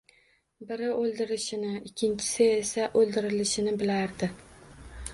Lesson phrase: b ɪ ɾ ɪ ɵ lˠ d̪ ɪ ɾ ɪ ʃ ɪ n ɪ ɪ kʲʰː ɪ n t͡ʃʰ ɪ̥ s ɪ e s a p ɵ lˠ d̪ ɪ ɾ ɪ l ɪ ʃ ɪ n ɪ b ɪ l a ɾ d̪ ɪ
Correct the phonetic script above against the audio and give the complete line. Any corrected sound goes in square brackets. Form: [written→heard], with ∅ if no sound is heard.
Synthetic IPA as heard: b ɪ ɾ ɪ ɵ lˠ d̪ ɪ ɾ ɪ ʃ ɪ n ɪ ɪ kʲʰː ɪ n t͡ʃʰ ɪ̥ s ɪ e s a [p→ʔ] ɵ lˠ d̪ ɪ ɾ ɪ l ɪ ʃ ɪ n ɪ b ɪ l a ɾ d̪ ɪ